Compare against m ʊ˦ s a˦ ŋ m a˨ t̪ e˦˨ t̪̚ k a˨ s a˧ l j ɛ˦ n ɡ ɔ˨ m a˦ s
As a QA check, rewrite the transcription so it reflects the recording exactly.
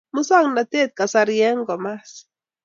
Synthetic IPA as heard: m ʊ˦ s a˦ ŋ n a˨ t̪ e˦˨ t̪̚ k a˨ s a˧ ɾ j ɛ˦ ŋ ɡ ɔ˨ m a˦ s